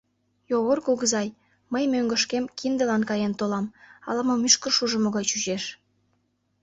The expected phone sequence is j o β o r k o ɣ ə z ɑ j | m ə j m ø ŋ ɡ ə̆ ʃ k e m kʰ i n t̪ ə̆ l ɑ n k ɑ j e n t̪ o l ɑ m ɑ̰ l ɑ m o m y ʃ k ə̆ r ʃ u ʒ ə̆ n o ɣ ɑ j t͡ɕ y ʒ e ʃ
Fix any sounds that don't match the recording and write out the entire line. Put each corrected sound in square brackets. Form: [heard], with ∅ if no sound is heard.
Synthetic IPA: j o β o r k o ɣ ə z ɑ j | m ə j m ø ŋ ɡ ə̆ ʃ k e m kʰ i n [d̪] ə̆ l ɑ n k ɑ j e n t̪ o l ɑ m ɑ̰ l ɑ m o m y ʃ k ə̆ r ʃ u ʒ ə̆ [m] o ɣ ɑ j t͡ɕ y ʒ e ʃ